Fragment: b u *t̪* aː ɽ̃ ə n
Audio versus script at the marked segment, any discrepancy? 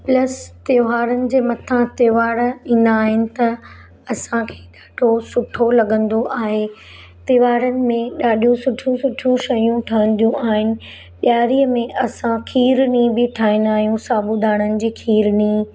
yes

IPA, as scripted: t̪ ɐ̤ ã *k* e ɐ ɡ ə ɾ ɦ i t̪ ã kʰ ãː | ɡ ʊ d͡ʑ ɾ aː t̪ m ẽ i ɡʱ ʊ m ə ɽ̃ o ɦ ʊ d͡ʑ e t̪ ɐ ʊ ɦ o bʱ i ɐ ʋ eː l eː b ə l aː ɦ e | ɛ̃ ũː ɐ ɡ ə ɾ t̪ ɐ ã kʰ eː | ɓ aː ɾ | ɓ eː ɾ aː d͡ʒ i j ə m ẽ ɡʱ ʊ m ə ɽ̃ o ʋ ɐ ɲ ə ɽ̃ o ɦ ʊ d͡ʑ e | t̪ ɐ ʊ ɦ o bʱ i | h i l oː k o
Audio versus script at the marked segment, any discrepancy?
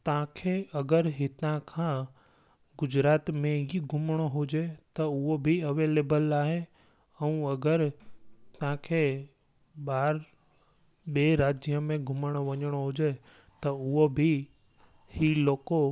yes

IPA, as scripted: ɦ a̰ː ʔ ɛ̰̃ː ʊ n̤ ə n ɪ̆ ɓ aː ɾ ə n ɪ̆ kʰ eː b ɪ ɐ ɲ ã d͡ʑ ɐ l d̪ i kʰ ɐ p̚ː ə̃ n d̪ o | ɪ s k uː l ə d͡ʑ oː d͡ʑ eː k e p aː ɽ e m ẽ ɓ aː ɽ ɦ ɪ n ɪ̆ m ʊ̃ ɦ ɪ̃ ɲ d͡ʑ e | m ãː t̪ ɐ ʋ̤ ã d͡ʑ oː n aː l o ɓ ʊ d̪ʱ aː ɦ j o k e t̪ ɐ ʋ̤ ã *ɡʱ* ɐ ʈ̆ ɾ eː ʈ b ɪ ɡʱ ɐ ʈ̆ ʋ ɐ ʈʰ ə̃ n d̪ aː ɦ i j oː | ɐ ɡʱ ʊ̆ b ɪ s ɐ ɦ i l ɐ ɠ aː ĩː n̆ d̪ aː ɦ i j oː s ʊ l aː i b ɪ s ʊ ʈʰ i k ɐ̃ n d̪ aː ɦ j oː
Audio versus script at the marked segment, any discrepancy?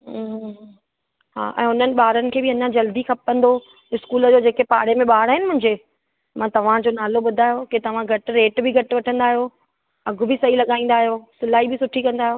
no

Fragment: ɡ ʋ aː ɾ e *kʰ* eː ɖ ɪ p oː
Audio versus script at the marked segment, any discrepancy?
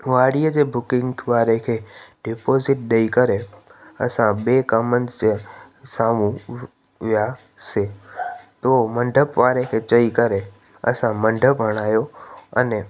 no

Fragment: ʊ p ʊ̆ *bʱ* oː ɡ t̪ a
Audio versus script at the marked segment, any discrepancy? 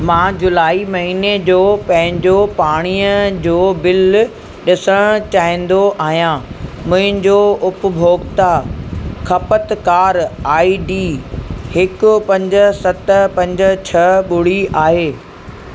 no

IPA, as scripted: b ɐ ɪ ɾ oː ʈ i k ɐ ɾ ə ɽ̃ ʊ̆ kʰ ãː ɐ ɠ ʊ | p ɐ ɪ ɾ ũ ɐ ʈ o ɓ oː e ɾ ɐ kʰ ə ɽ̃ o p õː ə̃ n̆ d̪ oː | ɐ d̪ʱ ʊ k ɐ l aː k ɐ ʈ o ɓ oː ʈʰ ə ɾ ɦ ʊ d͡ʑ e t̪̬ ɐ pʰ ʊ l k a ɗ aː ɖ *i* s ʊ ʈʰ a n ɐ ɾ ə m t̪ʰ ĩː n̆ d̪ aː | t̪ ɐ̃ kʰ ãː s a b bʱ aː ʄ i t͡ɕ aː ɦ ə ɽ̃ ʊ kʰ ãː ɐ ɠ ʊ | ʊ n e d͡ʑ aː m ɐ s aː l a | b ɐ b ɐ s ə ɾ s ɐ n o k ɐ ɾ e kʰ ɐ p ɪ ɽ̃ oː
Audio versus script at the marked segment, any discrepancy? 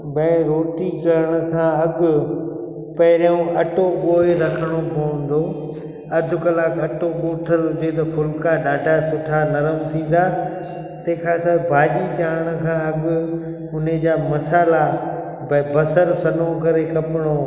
yes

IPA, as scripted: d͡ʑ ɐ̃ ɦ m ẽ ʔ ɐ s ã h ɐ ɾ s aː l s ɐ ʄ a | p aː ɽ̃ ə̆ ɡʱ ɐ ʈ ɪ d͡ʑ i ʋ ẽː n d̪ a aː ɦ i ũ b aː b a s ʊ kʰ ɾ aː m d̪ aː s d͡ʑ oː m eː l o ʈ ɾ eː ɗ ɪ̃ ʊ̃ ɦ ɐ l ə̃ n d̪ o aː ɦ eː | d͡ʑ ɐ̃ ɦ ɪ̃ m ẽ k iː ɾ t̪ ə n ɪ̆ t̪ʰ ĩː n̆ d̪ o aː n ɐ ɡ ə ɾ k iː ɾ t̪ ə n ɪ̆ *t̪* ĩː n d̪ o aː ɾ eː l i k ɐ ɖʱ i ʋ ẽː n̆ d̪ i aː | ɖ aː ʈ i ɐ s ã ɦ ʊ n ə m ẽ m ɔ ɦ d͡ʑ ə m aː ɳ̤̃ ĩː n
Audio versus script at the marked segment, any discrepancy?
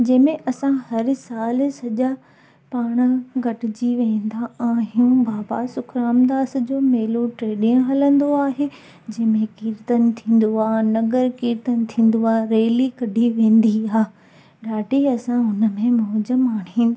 yes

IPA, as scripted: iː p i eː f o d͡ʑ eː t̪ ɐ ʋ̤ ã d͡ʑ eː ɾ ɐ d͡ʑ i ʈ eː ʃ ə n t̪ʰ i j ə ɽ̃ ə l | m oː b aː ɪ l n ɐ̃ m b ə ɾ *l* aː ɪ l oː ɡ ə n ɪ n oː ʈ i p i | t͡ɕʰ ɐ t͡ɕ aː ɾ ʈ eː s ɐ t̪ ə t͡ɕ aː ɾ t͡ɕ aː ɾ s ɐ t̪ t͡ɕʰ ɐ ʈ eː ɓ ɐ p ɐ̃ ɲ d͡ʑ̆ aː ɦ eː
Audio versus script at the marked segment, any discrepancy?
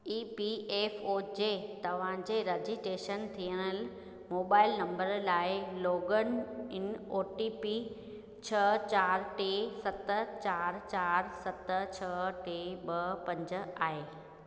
no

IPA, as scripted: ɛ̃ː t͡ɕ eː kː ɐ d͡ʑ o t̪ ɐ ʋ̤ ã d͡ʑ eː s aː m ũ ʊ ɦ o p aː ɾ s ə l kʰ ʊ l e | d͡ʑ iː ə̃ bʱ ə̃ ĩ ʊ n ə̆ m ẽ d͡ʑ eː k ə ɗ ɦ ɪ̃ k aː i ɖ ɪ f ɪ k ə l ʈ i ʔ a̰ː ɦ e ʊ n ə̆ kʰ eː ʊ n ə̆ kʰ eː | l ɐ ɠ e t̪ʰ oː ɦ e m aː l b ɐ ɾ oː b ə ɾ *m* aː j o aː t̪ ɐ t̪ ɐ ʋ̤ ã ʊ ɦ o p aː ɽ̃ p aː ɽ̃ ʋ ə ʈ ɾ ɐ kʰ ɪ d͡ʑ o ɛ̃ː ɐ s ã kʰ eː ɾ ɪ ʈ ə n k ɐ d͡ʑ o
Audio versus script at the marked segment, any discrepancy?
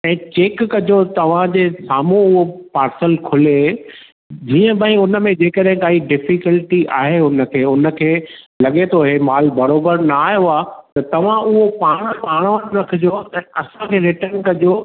yes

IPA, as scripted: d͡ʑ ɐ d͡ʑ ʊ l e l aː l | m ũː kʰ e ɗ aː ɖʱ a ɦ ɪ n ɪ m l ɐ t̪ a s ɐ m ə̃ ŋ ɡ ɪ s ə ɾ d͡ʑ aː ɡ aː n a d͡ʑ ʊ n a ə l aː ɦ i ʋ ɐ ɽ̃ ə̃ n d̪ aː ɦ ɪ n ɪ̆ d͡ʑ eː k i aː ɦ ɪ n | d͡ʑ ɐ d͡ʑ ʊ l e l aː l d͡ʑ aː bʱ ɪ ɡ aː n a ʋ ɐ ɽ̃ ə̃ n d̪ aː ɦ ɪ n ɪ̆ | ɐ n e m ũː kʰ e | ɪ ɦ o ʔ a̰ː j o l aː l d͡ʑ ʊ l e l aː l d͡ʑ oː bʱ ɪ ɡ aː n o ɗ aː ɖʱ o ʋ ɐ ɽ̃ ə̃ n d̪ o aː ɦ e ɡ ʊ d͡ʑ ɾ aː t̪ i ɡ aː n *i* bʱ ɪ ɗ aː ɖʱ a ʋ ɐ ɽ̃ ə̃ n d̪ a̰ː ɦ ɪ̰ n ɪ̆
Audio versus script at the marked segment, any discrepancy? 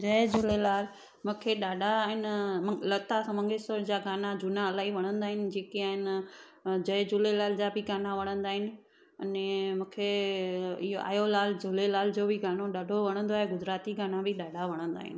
yes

